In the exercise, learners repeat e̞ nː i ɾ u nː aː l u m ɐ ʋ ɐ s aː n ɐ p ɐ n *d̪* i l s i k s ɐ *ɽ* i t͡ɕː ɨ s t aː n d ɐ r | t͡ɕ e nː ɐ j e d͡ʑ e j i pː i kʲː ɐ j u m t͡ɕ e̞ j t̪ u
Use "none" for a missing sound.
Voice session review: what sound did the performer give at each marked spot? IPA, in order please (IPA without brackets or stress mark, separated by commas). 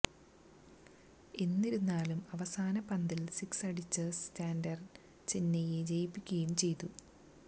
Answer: d̪, ɽ